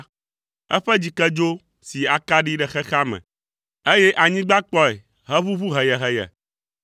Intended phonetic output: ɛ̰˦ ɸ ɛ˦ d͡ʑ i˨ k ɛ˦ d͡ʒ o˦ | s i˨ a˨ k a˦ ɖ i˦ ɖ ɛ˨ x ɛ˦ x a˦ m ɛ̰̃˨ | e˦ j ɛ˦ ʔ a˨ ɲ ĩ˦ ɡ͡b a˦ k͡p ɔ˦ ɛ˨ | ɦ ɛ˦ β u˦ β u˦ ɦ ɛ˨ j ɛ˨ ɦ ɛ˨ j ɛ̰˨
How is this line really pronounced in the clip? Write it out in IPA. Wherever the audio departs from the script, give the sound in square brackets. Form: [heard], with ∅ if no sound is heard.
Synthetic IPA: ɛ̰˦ ɸ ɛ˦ d͡ʑ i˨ k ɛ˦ d͡ʒ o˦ | s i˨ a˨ k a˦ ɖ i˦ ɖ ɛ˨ x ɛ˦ x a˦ m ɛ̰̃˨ | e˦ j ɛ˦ ʔ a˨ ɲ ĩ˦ ɡ͡b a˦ k͡p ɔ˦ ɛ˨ | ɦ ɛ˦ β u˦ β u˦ ɦ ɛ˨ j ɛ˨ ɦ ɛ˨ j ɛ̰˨